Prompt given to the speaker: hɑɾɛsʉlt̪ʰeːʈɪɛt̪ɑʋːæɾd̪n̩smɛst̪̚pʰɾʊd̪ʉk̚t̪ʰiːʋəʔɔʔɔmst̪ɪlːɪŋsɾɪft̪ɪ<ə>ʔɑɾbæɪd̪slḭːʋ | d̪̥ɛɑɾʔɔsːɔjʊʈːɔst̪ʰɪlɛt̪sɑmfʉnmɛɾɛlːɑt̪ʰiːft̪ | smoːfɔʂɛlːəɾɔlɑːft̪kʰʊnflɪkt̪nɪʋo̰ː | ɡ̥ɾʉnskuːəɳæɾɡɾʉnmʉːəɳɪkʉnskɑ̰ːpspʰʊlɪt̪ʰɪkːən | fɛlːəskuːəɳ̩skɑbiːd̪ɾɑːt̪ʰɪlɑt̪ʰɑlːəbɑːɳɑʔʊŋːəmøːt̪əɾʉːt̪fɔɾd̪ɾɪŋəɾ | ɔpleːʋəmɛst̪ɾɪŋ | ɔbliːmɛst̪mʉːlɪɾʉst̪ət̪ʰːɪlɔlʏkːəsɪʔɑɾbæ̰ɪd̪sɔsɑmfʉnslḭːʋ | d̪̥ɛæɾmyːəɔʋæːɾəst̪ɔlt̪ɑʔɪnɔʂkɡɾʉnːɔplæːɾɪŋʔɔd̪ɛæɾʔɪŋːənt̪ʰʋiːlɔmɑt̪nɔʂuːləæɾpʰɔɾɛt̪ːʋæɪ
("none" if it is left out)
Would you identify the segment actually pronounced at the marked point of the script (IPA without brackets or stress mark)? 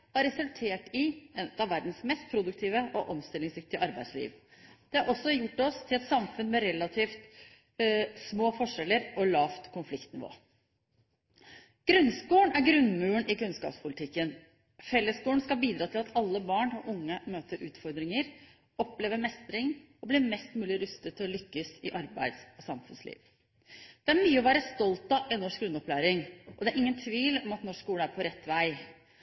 ə